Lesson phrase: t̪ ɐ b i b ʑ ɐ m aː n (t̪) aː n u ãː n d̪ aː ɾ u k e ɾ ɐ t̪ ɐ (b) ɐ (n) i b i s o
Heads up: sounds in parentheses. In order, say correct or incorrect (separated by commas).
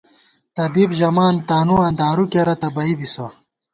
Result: correct, correct, incorrect